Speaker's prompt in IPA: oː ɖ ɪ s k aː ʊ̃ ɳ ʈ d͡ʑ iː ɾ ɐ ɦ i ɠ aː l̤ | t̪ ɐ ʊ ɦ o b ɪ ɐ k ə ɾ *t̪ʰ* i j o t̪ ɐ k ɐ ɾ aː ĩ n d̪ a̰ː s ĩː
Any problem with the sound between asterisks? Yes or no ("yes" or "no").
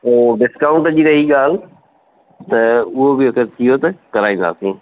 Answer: no